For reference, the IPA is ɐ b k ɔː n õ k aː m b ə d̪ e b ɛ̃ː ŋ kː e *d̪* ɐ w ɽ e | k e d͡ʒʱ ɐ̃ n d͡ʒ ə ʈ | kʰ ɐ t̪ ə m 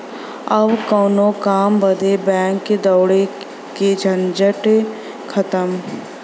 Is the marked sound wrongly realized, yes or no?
no